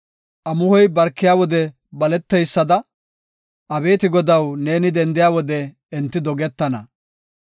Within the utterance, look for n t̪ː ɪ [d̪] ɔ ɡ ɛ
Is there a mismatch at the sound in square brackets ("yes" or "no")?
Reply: no